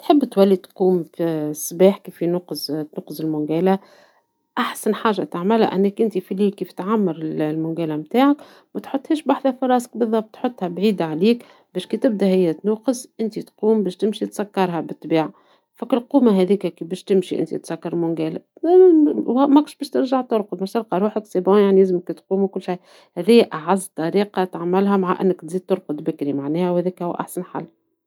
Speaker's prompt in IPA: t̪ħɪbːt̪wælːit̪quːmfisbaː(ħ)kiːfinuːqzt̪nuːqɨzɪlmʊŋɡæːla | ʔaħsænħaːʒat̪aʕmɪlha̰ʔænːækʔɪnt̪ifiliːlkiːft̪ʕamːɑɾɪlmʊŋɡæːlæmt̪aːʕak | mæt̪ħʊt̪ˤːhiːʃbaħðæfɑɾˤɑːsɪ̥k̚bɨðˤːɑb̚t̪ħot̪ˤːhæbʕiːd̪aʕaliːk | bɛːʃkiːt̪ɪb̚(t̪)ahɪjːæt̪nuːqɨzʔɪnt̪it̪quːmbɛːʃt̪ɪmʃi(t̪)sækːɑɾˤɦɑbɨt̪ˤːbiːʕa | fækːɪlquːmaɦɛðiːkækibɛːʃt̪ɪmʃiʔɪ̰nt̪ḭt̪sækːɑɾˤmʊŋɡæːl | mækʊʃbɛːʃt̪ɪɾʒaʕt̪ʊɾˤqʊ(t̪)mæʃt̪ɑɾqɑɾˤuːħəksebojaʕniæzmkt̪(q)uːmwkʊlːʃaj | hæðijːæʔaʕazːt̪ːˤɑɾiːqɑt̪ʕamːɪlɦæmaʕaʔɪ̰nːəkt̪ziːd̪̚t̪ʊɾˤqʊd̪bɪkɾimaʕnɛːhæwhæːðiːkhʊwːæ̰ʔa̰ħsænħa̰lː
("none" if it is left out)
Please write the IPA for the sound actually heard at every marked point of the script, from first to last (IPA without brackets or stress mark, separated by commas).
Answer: ħ, d̪, t̪, d̪, q